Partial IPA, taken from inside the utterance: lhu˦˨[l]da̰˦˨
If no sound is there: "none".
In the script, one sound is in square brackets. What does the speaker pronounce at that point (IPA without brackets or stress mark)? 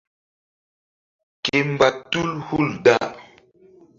l